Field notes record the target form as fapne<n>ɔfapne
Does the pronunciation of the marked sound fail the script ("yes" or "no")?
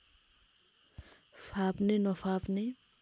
no